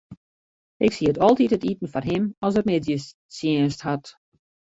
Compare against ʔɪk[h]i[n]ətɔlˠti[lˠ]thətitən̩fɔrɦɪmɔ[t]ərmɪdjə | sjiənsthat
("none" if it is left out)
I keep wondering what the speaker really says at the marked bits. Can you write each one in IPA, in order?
s, none, none, s

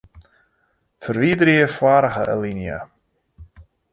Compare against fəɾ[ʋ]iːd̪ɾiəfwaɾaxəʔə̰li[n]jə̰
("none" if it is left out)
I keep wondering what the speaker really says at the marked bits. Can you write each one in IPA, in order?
v, n

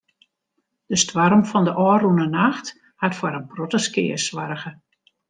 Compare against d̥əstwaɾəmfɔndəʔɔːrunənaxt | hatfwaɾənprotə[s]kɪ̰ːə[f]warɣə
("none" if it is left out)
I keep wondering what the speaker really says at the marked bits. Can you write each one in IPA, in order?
s, s

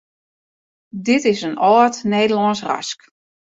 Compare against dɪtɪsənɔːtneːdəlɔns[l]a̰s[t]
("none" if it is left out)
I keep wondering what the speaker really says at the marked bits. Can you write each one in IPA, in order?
r, k

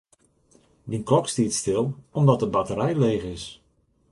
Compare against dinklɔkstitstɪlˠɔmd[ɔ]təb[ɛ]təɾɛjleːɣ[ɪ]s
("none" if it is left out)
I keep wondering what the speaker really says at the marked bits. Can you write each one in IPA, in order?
ɔ, a, ɪ

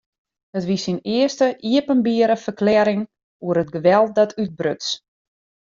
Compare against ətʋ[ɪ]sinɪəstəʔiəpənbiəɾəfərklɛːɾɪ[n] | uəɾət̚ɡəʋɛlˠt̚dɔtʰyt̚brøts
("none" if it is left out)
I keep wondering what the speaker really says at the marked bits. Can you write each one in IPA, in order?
i, ŋ

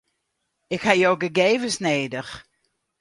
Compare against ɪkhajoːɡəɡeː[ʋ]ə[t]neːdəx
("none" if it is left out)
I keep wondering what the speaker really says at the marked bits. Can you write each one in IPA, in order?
v, s

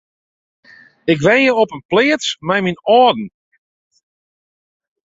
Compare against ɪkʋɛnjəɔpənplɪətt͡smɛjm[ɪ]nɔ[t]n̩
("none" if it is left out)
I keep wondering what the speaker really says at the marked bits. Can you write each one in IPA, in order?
i, d

